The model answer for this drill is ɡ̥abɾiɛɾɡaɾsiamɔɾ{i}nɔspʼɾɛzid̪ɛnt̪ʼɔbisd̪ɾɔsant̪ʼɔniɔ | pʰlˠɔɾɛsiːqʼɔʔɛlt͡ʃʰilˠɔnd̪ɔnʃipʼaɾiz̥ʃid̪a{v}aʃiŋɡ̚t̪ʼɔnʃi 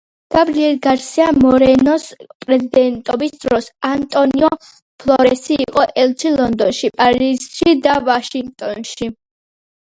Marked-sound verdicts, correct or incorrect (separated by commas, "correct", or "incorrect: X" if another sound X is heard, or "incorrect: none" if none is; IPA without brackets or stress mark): incorrect: ɛ, correct